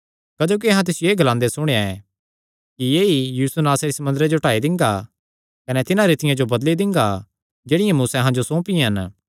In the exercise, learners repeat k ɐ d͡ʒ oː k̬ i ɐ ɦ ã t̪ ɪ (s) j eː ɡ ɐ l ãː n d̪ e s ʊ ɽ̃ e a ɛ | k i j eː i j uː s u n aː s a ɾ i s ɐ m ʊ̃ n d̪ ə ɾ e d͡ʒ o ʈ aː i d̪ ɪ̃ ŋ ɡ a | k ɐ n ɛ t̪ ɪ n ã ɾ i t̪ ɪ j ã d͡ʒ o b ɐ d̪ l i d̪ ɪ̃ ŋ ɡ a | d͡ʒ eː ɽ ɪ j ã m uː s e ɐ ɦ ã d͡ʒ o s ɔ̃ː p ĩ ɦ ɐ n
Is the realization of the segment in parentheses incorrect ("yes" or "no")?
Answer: no